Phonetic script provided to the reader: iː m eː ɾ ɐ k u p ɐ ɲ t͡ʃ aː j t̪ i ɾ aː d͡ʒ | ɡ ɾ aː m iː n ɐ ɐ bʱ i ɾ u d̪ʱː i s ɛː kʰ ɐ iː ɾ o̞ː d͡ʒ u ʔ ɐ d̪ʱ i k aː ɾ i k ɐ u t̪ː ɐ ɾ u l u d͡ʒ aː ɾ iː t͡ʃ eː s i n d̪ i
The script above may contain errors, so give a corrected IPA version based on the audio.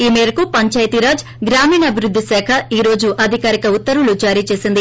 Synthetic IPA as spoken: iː m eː ɾ ɐ k u p ɐ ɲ t͡ʃ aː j t̪ i ɾ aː d͡ʒ | ɡ ɾ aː m iː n ɐ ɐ bʱ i ɾ u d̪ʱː i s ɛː kʰ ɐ iː ɾ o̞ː d͡ʒ u ʔ ɐ d̪ʱ i k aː ɾ i k ɐ u t̪ː ɐ ɾ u l u d͡ʒ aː ɾ iː t͡ʃ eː s i n d̪ i